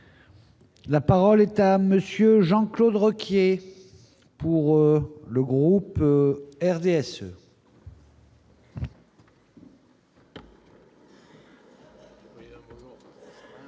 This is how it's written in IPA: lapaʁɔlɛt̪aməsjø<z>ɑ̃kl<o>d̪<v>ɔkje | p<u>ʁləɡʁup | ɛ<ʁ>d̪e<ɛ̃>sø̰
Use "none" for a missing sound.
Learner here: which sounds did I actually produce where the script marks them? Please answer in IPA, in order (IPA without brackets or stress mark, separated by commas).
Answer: ʒ, o, ʁ, u, ʁ, ɛ